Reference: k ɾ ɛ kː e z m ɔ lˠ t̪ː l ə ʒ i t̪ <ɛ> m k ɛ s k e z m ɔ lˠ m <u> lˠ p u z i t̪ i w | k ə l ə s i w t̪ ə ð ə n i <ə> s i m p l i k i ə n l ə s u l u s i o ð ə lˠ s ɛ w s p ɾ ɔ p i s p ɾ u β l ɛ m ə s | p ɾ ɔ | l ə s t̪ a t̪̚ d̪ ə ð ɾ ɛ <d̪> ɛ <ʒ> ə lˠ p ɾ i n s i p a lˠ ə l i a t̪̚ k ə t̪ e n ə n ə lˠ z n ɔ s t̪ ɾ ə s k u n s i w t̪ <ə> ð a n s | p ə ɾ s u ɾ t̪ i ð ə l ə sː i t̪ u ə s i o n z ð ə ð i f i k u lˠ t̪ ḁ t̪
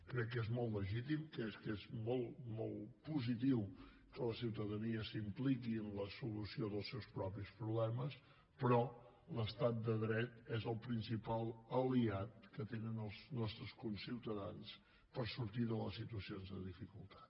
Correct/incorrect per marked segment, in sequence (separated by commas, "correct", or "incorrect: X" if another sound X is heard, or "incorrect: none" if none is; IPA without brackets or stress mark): incorrect: i, incorrect: ɔ, correct, incorrect: t̪, incorrect: z, correct